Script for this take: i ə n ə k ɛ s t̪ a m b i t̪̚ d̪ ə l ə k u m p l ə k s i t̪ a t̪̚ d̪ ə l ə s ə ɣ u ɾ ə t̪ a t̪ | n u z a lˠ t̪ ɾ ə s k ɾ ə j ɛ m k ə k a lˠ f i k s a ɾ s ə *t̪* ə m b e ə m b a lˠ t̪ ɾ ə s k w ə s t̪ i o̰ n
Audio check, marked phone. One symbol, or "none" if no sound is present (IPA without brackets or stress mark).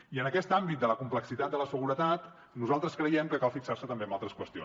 t̪